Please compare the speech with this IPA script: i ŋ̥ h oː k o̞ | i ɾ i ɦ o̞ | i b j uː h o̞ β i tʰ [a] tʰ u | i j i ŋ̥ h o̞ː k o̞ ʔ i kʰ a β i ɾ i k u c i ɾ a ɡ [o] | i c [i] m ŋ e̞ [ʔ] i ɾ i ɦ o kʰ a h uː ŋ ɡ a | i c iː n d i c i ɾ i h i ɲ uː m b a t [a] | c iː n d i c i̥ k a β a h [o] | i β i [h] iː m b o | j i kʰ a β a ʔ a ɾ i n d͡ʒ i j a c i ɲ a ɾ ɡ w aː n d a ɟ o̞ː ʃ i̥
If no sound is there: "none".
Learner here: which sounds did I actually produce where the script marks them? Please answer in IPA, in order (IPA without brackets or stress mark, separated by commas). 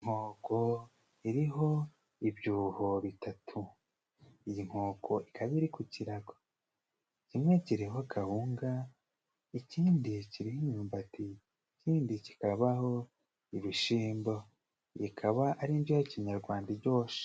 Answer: a, o, i, c, i, o, ʃ